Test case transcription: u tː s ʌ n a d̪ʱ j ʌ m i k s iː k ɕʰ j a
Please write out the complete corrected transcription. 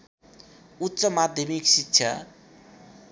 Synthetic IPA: u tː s ʌ m a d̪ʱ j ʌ m i k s i k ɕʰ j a